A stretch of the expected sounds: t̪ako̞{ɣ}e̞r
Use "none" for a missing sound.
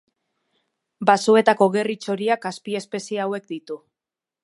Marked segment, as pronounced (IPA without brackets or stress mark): ɣ